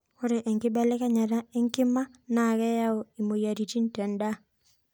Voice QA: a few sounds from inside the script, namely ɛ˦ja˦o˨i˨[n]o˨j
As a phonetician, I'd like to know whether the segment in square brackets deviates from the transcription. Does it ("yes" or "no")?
yes